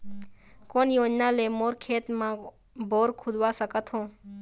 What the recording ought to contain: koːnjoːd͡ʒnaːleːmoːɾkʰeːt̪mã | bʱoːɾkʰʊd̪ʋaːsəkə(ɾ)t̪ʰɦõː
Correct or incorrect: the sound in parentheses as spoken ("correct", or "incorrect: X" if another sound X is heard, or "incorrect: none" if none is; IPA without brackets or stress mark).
incorrect: none